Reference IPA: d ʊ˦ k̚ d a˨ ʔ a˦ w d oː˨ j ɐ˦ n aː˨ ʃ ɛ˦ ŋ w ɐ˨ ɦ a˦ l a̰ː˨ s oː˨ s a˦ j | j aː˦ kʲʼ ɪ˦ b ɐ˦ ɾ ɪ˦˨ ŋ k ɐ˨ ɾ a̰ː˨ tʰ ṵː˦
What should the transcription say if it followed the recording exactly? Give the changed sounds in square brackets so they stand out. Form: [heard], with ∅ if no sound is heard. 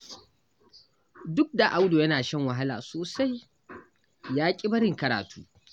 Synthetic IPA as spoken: d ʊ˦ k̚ d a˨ ʔ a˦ w d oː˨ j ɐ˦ n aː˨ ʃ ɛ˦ ŋ w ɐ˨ ɦ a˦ l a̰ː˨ s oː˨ s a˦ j | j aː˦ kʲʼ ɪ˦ b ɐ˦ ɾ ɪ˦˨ ŋ k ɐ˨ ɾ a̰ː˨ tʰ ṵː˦